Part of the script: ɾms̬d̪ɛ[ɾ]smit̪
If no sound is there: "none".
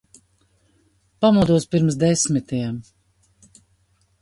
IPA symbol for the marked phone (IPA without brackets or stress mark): none